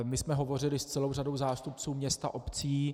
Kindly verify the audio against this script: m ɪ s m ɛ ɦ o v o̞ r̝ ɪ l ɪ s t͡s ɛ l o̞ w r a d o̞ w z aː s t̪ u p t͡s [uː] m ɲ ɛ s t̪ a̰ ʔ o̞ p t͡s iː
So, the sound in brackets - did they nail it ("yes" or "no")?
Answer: yes